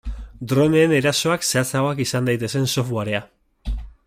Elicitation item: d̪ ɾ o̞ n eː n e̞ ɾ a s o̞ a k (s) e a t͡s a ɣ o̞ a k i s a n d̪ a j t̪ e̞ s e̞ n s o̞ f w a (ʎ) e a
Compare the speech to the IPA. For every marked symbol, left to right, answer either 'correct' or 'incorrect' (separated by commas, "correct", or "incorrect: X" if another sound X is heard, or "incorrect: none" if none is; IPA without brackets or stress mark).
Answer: correct, incorrect: ɾ